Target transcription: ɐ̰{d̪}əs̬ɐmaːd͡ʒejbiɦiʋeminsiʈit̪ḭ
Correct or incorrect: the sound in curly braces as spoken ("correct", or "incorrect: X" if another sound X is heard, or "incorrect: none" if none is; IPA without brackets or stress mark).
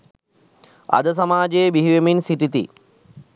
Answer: correct